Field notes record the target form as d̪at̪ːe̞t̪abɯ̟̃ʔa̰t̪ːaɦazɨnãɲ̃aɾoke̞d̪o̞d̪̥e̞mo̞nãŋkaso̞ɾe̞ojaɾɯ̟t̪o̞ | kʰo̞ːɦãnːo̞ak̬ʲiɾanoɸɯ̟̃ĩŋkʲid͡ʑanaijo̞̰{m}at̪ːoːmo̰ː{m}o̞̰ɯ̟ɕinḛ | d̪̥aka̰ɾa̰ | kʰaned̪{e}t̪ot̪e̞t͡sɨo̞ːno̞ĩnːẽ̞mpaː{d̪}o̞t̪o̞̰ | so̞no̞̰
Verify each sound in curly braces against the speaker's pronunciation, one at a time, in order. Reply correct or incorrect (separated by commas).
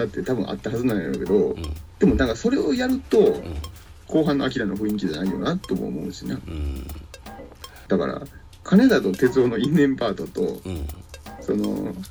incorrect, correct, incorrect, incorrect